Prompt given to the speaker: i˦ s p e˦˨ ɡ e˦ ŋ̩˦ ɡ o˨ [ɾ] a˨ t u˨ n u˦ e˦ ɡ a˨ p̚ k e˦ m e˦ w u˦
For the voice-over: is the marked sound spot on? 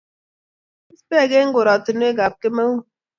yes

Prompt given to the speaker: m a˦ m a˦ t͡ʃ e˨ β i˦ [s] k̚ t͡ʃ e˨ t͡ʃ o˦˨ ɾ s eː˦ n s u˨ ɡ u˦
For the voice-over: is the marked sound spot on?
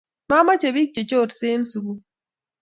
no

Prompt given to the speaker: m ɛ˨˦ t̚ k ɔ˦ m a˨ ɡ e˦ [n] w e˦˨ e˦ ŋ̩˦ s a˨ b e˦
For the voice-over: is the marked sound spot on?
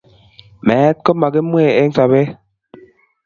no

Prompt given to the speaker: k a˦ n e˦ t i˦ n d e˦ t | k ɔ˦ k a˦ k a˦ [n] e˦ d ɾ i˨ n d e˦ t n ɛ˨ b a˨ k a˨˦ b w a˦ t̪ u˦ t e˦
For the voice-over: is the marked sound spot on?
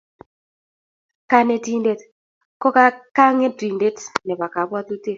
no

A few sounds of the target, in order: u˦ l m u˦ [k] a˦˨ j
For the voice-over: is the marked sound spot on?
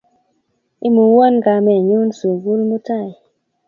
no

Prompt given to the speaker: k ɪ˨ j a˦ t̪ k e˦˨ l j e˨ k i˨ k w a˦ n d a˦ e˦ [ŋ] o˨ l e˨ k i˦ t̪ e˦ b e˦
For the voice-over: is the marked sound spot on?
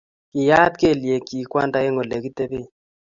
yes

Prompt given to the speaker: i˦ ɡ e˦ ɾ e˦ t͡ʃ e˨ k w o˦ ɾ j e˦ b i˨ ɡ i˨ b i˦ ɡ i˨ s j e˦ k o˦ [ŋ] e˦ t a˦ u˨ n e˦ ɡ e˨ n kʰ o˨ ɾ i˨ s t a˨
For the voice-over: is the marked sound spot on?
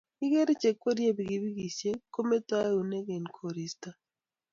no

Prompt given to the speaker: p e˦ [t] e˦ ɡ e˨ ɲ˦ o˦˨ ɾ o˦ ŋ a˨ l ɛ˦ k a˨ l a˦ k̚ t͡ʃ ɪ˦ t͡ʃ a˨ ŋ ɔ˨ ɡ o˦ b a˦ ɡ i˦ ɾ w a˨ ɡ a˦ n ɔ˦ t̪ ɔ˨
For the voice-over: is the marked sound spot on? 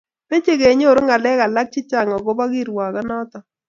no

